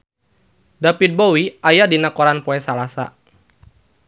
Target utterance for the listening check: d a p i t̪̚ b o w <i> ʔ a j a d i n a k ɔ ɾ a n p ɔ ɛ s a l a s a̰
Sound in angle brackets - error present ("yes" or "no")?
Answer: no